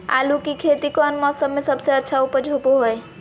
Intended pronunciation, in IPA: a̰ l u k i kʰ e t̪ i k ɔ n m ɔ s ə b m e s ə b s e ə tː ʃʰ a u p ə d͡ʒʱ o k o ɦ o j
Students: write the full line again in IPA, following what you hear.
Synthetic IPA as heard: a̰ l u k i kʰ e t̪ i k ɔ n m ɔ s ə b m e s ə b s e ə tː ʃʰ a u p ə d͡ʒʱ o p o ɦ o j